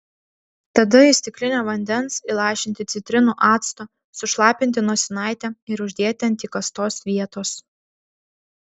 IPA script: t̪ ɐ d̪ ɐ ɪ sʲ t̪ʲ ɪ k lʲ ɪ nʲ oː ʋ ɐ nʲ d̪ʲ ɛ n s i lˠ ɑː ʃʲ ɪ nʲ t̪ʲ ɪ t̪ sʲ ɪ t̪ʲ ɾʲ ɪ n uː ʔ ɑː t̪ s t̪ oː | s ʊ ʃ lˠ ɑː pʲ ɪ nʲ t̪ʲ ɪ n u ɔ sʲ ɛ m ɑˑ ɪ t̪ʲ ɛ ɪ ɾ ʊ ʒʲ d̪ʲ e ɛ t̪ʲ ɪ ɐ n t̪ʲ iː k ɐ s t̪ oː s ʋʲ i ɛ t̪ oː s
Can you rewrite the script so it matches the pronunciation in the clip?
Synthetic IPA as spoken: t̪ ɐ d̪ ɐ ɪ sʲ t̪ʲ ɪ k lʲ ɪ nʲ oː ʋ ɐ nʲ d̪ʲ ɛ n s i lˠ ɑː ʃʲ ɪ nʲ t̪ʲ ɪ t̪ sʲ ɪ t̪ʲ ɾʲ ɪ n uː ʔ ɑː t̪ s t̪ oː | s ʊ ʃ lˠ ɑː pʲ ɪ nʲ t̪ʲ ɪ n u ɔ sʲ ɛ n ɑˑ ɪ t̪ʲ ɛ ɪ ɾ ʊ ʒʲ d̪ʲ e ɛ t̪ʲ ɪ ɐ n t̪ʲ iː k ɐ s t̪ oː s ʋʲ i ɛ t̪ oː s